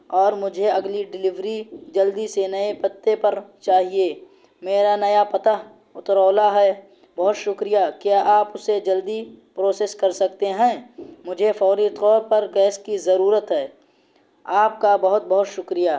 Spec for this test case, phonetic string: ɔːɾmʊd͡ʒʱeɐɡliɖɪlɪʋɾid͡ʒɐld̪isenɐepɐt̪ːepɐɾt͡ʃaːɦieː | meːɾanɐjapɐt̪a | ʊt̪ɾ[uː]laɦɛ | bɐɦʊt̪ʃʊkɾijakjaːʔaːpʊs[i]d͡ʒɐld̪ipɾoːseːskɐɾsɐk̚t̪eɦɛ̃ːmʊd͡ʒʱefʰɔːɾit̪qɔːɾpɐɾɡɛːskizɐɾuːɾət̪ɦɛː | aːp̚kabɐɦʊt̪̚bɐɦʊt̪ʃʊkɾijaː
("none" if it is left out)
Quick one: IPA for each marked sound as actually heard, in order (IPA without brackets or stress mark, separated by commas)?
ɔː, e